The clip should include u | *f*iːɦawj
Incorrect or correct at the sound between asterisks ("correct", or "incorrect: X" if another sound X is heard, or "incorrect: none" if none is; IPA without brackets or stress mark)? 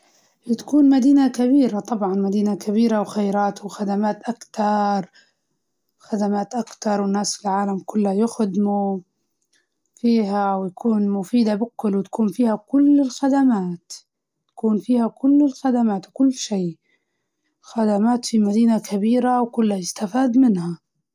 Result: correct